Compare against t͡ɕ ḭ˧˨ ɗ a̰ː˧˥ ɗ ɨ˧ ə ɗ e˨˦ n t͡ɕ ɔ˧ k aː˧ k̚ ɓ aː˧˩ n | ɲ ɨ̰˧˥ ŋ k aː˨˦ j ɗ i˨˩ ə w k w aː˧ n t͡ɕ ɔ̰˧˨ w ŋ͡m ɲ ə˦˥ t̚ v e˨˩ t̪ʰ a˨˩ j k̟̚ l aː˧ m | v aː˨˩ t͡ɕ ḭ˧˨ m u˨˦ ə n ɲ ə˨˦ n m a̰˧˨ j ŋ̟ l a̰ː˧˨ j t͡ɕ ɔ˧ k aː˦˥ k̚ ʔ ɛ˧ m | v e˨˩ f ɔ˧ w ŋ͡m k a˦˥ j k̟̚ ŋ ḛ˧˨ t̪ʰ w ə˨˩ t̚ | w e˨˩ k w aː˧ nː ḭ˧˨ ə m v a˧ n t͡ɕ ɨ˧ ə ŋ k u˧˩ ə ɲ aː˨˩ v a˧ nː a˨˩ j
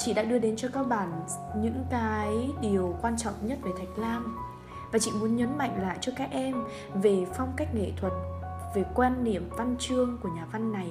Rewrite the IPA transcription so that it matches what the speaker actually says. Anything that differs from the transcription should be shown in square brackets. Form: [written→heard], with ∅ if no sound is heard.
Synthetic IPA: t͡ɕ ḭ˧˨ ɗ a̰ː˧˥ ɗ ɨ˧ ə ɗ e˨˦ n t͡ɕ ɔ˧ k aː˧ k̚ ɓ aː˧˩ n | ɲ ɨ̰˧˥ ŋ k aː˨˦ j ɗ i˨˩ ə w k w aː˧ n t͡ɕ ɔ̰˧˨ w ŋ͡m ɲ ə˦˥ t̚ v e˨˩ t̪ʰ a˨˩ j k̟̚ l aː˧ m | v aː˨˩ t͡ɕ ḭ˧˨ m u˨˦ ə n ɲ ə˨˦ n m a̰˧˨ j ŋ̟ l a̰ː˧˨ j t͡ɕ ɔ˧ k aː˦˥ k̚ ʔ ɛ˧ m | v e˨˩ f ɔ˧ w ŋ͡m k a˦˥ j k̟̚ ŋ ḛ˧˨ t̪ʰ w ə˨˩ t̚ | [w→v] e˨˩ k w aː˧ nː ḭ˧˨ ə m v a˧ n t͡ɕ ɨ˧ ə ŋ k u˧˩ ə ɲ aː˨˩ v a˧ nː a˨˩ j